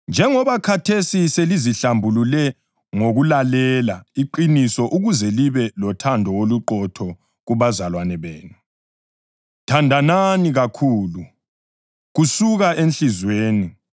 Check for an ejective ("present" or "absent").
absent